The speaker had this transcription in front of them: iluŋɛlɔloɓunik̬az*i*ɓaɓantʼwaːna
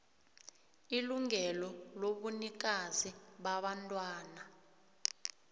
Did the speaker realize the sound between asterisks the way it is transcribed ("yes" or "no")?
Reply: yes